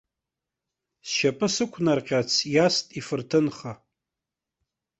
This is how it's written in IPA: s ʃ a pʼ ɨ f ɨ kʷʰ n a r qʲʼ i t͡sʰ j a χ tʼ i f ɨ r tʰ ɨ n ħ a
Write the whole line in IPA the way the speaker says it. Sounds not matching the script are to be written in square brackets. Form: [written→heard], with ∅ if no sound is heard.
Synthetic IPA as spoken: s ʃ a pʼ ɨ [f→s] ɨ kʷʰ n a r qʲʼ [i→a] t͡sʰ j a [χ→s] tʼ i f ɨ r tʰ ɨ n [ħ→χ] a